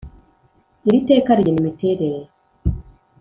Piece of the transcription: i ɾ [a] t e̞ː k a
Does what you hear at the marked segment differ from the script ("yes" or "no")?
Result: yes